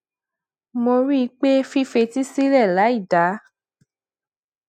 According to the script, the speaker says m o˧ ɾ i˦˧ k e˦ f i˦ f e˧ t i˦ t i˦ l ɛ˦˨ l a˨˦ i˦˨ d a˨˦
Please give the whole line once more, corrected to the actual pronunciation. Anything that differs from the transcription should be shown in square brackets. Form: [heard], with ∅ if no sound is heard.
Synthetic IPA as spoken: m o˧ ɾ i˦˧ [k͡p] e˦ f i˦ f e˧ t i˦ [s] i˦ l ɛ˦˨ l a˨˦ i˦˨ d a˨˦

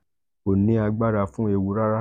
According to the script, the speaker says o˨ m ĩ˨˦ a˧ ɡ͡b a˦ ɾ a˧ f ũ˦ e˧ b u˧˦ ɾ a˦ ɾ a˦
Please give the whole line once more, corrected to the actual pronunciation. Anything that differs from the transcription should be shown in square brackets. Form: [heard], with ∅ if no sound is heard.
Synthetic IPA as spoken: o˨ [n] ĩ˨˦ a˧ ɡ͡b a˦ ɾ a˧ f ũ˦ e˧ [w] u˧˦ ɾ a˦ ɾ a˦

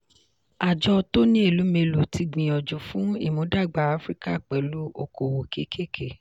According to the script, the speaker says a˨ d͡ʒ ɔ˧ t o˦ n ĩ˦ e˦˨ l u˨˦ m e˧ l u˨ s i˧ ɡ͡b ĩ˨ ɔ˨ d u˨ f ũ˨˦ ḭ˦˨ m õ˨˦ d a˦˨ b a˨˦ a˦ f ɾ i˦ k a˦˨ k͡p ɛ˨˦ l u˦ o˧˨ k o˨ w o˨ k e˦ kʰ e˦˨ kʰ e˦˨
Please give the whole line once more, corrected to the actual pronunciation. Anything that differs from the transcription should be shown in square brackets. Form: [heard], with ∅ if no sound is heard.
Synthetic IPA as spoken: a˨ d͡ʒ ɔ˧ t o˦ n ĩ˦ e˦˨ l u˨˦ m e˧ l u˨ [t] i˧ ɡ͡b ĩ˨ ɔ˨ [d͡ʒ] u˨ f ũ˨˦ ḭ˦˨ m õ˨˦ d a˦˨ [ɡ͡b] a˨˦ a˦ f ɾ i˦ k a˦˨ k͡p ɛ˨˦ l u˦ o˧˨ k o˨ w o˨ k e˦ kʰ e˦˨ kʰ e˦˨

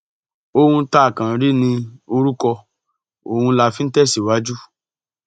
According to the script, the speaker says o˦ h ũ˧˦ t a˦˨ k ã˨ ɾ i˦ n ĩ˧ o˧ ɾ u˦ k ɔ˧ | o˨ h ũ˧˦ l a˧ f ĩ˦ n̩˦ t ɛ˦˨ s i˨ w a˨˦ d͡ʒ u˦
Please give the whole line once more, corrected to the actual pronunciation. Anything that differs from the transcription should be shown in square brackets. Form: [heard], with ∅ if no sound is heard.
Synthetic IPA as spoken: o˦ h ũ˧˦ t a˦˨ k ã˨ ɾ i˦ n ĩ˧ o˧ ɾ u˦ k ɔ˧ | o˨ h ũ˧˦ l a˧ f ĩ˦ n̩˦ t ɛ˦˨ s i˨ w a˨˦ d͡ʒ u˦

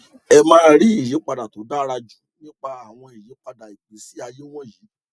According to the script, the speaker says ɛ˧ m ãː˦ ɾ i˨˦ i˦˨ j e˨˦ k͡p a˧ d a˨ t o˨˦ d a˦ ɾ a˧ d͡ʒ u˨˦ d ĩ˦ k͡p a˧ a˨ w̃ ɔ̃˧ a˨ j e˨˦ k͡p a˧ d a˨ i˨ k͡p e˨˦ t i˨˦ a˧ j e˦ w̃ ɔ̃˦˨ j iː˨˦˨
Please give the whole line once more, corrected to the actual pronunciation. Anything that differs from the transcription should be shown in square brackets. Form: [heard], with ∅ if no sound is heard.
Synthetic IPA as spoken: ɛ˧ m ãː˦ ɾ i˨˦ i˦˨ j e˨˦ k͡p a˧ d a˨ t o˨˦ d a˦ ɾ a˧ d͡ʒ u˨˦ [n] ĩ˦ k͡p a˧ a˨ w̃ ɔ̃˧ [i˨] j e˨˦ k͡p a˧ d a˨ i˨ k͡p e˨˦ [s] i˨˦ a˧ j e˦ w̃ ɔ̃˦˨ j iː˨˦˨

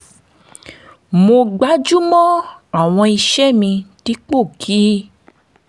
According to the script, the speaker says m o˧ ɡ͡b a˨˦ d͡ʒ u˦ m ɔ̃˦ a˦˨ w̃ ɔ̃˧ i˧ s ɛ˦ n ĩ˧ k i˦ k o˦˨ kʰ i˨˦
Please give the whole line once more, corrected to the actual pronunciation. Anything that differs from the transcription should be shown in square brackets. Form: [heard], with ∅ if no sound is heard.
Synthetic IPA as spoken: m o˧ ɡ͡b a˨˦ d͡ʒ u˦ m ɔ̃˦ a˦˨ w̃ ɔ̃˧ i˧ [ʃ] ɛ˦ [m] ĩ˧ [t] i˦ [k͡p] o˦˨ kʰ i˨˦

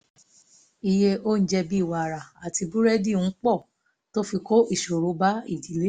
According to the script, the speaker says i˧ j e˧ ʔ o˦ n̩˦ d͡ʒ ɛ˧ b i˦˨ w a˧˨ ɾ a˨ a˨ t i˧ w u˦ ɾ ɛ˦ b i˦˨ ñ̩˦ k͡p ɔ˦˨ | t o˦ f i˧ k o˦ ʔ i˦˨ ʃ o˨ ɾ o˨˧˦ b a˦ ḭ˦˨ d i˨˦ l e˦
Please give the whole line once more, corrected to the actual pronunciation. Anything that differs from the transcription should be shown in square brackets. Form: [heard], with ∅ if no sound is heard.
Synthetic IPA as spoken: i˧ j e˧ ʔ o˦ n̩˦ d͡ʒ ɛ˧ b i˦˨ w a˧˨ ɾ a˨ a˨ t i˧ [b] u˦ ɾ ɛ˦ [d] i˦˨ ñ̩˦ k͡p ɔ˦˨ | t o˦ f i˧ k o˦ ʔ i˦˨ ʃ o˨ ɾ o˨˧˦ b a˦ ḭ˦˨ d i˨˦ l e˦

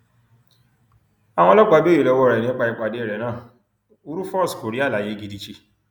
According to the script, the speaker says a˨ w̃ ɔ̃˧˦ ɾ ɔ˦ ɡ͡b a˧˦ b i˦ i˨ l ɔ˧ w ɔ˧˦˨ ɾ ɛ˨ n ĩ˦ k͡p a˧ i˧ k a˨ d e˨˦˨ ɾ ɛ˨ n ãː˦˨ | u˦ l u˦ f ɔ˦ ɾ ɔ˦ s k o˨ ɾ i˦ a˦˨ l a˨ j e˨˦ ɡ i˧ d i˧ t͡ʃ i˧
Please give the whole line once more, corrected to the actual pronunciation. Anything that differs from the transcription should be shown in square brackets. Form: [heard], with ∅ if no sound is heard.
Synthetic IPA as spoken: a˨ w̃ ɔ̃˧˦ [l] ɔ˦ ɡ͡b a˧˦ b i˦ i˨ l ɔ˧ w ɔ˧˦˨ ɾ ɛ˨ n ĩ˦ k͡p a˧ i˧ [k͡p] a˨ d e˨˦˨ ɾ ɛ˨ n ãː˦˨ | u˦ [ɾ] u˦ f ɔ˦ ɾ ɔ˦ s k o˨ ɾ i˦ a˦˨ l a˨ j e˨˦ ɡ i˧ d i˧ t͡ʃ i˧

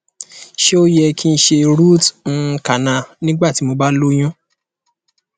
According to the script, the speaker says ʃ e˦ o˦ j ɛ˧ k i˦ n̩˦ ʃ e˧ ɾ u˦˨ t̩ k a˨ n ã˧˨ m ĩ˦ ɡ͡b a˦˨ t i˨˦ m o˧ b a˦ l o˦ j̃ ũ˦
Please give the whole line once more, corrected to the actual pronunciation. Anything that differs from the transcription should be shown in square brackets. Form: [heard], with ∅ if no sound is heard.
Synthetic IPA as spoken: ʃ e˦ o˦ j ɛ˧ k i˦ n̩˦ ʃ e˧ ɾ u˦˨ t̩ k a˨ n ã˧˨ [n] ĩ˦ ɡ͡b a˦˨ t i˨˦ m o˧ b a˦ l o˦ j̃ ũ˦

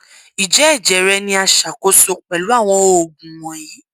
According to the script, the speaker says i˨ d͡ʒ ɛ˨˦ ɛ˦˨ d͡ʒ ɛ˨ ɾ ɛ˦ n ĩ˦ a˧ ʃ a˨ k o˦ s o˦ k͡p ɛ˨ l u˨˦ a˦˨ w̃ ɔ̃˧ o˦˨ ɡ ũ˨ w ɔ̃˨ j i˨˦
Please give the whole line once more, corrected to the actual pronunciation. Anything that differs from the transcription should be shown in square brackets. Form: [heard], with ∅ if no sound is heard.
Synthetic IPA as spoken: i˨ d͡ʒ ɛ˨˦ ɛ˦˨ d͡ʒ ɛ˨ ɾ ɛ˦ n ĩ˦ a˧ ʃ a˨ k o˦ s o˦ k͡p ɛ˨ l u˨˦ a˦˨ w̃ ɔ̃˧ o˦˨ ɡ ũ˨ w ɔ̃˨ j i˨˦

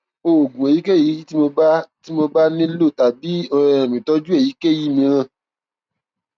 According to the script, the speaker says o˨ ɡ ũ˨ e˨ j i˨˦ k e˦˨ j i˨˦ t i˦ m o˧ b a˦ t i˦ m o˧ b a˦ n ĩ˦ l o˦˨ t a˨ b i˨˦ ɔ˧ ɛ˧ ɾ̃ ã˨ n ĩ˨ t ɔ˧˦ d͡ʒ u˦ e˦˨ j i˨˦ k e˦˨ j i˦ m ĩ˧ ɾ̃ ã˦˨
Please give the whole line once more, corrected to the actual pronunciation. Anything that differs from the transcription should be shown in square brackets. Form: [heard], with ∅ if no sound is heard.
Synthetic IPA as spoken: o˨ ɡ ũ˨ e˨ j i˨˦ k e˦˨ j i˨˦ t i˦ m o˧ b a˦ t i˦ m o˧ b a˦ n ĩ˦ l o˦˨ t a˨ b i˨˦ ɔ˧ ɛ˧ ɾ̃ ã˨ [m] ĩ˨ t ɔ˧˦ d͡ʒ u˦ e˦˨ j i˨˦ k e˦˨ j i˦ m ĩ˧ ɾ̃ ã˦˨

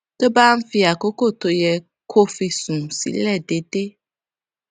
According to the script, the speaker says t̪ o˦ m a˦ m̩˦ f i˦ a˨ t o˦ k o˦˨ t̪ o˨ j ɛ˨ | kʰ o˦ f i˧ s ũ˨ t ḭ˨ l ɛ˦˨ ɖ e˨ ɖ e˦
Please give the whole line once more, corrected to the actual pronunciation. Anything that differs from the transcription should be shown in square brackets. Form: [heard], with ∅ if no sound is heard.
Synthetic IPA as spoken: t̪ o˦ [b] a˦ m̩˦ f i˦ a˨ [k] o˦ k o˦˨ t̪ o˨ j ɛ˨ | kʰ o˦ f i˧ s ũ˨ [s] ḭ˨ l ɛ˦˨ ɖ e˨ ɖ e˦

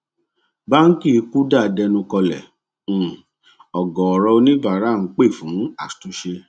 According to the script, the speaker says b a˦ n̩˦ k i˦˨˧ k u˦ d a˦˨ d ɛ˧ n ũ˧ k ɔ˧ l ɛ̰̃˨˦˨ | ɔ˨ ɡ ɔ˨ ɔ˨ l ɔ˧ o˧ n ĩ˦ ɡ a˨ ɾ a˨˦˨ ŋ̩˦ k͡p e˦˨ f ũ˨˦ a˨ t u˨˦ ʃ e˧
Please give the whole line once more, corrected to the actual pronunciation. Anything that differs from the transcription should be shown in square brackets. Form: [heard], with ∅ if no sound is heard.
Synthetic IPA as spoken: b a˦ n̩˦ k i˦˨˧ k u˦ d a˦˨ d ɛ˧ n ũ˧ k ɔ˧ l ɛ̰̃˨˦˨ | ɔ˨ ɡ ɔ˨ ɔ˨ [ɾ] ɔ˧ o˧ n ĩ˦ [b] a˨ ɾ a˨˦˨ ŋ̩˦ k͡p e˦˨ f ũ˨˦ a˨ t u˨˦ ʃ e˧

